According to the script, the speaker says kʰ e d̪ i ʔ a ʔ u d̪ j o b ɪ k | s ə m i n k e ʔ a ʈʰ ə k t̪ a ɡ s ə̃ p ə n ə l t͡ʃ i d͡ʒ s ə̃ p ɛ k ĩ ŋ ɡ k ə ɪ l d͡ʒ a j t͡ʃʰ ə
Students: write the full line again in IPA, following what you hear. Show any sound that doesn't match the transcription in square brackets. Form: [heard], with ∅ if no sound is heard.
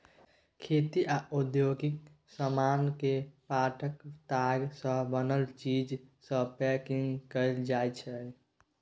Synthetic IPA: kʰ e [t̪] i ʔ a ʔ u d̪ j o [ɡ] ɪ k | s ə m [a] n k e [p] a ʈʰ ə k t̪ a ɡ s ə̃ [b] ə n ə l t͡ʃ i d͡ʒ s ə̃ p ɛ k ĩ ŋ ɡ k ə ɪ l d͡ʒ a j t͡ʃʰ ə